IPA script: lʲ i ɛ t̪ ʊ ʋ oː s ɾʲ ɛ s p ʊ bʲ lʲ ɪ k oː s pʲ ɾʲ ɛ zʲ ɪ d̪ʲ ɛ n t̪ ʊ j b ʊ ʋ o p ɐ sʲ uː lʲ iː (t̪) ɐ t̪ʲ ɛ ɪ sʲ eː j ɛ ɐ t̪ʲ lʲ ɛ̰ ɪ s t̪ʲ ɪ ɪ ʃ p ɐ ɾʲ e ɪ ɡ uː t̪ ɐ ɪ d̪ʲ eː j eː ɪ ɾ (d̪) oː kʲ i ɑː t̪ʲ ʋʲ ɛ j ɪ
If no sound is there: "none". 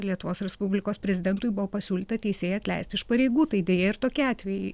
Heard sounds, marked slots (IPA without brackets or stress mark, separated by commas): t̪, t̪